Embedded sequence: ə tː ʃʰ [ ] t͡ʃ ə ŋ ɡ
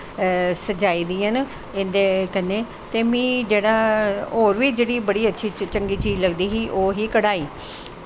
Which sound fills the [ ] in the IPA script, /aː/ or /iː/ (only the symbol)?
iː